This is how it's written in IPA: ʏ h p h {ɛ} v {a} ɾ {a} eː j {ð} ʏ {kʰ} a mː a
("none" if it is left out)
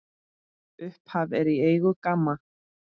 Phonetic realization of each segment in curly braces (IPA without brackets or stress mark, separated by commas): a, ɛ, i, ɣ, k